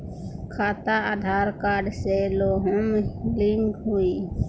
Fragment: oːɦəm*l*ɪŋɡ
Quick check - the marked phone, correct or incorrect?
correct